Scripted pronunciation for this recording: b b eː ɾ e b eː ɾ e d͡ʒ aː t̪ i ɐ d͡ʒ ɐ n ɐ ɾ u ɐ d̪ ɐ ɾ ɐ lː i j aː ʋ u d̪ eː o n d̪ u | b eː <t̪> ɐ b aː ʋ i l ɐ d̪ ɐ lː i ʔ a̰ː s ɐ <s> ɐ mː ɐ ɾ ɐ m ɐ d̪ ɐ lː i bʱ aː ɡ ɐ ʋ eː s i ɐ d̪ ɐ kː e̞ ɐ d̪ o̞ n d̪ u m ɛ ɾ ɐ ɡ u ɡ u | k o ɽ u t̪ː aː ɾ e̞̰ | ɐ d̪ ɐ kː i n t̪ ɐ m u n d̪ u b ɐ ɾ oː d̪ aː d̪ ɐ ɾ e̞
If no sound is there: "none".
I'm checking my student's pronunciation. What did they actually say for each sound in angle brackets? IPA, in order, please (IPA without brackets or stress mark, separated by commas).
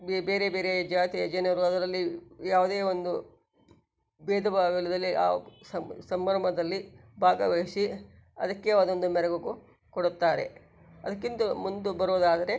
d̪, s